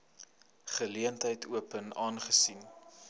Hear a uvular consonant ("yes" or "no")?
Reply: yes